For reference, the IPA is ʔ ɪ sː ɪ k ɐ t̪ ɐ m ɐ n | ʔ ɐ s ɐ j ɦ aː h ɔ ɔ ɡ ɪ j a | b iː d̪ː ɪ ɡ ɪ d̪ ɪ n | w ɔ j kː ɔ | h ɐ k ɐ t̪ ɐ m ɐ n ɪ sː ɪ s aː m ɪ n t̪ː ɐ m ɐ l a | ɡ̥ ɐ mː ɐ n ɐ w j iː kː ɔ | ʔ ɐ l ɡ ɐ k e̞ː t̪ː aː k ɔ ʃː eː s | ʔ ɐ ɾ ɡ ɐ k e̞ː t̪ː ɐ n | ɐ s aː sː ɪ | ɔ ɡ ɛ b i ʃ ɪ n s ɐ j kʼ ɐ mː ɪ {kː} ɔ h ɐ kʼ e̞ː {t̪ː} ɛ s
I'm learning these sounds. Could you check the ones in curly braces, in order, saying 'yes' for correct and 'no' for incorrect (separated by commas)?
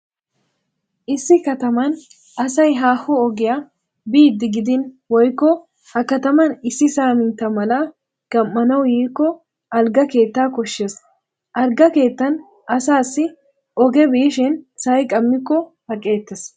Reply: yes, yes